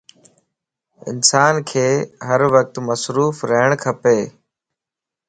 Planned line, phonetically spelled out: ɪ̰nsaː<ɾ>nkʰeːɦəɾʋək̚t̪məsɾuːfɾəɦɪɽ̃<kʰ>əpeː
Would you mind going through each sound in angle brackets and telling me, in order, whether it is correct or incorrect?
incorrect: none, correct

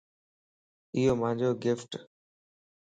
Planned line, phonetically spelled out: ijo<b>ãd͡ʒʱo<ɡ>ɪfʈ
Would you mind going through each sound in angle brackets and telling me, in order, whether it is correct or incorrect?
incorrect: m, correct

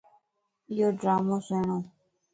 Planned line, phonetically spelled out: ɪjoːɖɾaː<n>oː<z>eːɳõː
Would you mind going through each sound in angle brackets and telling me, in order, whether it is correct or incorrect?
incorrect: m, incorrect: s

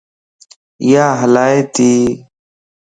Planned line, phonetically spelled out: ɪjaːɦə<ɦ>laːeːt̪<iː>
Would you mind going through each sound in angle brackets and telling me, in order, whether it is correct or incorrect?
incorrect: none, correct

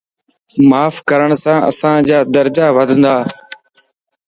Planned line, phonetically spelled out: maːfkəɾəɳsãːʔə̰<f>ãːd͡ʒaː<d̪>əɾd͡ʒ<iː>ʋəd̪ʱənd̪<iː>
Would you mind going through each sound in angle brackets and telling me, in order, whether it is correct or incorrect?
incorrect: s, correct, incorrect: aː, incorrect: aː

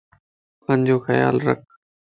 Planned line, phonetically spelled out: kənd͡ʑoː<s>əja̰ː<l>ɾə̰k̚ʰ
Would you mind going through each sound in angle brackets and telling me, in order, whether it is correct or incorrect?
incorrect: x, correct

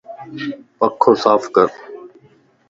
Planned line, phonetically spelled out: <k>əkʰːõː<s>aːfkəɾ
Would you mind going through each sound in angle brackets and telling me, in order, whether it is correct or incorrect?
incorrect: p, correct

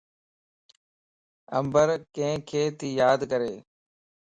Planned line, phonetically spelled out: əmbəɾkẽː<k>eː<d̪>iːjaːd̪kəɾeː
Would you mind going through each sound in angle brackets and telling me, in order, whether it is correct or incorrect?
incorrect: kʰ, incorrect: t̪

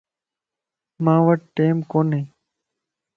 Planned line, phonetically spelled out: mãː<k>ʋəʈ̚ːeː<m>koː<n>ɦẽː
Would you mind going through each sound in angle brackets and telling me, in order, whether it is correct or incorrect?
incorrect: none, correct, correct

